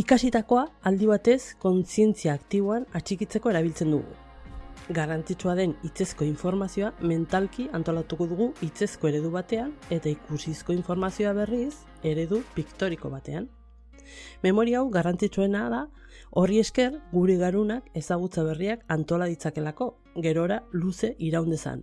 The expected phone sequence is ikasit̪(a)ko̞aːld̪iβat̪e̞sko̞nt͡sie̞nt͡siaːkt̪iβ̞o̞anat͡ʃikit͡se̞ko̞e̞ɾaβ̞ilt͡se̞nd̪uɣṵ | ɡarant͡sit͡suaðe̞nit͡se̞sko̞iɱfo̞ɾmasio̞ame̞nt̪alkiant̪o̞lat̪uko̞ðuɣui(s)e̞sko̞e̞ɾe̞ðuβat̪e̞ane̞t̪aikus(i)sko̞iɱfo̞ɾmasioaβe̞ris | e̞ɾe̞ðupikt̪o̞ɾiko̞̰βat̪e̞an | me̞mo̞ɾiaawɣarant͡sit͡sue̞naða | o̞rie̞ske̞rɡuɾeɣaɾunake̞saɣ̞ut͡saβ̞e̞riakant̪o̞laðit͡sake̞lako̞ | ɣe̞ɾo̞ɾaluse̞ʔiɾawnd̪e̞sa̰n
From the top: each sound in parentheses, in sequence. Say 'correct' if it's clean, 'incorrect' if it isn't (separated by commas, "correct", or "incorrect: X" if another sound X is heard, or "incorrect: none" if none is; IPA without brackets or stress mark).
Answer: correct, incorrect: t͡s, correct